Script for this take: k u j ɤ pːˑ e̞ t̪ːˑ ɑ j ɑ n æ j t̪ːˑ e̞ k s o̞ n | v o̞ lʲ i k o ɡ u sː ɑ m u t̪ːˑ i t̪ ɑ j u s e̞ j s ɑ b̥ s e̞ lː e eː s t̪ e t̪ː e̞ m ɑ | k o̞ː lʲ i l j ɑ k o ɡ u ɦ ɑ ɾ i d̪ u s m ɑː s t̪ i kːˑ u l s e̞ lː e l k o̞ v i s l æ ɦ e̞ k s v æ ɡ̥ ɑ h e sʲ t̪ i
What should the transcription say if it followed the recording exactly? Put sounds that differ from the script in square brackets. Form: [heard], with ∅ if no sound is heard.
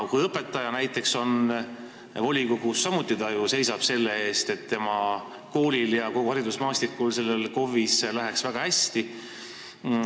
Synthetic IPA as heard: k u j ɤ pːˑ e̞ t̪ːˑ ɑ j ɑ n æ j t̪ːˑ e̞ k s o̞ n | v o̞ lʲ i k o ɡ u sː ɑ m u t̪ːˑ i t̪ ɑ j u s e̞ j s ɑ b̥ s e̞ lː e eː s t̪ e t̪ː e̞ m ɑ | k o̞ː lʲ i l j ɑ k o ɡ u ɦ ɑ ɾ i d̪ u s m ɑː s t̪ i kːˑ u l s e̞ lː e l k o̞ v i s l æ ɦ e̞ k s v æ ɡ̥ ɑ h [æ] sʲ t̪ i